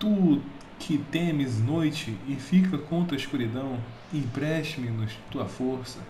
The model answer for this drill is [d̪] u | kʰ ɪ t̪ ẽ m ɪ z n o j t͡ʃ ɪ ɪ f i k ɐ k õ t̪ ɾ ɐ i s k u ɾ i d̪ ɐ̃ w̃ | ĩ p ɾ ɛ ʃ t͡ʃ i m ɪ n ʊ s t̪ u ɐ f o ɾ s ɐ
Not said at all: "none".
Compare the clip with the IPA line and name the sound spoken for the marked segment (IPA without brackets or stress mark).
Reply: t̪